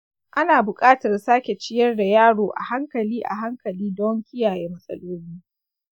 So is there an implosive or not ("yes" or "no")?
no